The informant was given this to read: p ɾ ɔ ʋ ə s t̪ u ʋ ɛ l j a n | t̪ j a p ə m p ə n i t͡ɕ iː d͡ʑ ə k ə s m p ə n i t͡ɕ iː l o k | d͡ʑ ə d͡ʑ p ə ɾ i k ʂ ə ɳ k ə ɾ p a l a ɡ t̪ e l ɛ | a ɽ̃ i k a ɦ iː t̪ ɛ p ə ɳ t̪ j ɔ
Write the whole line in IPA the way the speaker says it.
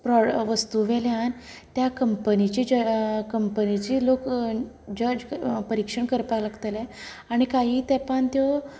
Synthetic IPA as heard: p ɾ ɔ ʋ ə s t̪ u ʋ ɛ l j a n | t̪ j a k ə m p ə n i t͡ɕ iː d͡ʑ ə k ə m p ə n i t͡ɕ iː l o k | d͡ʑ ə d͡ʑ p ə ɾ i k ʂ ə ɳ k ə ɾ p a l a ɡ t̪ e l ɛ | a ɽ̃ i k a ɦ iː t̪ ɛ p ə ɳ t̪ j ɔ